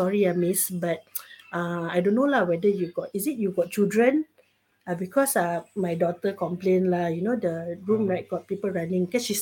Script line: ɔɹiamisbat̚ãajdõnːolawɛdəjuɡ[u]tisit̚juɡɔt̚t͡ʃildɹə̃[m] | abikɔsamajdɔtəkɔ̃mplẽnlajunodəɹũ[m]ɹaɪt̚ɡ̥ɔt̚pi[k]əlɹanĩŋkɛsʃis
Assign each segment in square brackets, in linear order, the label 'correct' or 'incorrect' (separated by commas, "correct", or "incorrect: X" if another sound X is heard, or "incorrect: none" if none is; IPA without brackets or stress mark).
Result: incorrect: ɔ, incorrect: n, correct, incorrect: p